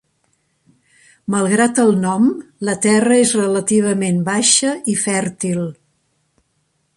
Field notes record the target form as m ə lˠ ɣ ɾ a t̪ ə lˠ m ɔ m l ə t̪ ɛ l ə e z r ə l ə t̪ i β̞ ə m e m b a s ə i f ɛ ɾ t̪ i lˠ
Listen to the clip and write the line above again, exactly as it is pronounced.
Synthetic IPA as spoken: m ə lˠ ɣ ɾ a t̪ ə lˠ n ɔ m l ə t̪ ɛ r ə e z r ə l ə t̪ i β̞ ə m e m b a ʃ ə i f ɛ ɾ t̪ i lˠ